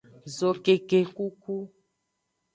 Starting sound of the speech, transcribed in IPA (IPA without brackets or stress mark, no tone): z